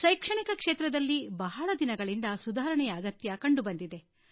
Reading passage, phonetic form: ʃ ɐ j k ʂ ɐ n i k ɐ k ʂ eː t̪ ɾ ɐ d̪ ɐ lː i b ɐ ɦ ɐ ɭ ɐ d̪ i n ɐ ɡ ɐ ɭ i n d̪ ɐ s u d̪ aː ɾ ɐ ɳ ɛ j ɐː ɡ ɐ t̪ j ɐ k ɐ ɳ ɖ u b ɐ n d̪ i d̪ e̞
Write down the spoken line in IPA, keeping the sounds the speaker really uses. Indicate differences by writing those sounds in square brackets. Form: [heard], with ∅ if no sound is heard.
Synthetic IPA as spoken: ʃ ɐ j k ʂ ɐ [ɳ] i k ɐ k ʂ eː t̪ ɾ ɐ d̪ ɐ lː i b ɐ ɦ ɐ ɭ ɐ d̪ i n ɐ ɡ ɐ ɭ i n d̪ ɐ s u d̪ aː ɾ ɐ ɳ ɛ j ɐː ɡ ɐ t̪ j ɐ k ɐ ɳ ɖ u b ɐ n d̪ i d̪ e̞